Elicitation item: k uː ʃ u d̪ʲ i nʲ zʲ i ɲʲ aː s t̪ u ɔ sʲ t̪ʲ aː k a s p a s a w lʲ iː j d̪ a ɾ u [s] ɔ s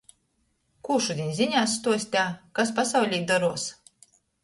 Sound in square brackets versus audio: incorrect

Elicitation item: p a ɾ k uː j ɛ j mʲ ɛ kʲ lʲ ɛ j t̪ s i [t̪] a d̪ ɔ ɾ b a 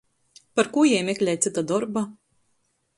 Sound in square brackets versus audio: correct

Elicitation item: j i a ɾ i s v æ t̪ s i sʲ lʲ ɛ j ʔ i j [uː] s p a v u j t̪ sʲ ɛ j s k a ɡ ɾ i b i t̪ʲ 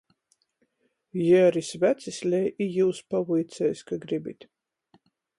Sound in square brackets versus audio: correct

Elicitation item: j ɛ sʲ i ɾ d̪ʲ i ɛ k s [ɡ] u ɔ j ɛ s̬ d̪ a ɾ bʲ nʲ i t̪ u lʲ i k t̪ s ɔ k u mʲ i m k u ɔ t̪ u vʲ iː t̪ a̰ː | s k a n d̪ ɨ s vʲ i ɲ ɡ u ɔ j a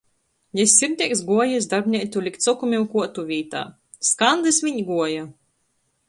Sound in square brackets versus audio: correct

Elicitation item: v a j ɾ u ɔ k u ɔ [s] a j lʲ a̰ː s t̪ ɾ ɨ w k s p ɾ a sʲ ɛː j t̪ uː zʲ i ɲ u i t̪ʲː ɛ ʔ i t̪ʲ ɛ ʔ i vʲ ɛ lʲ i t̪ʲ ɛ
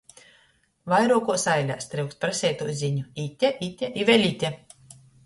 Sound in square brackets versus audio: correct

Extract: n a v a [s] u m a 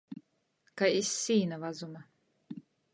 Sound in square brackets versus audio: incorrect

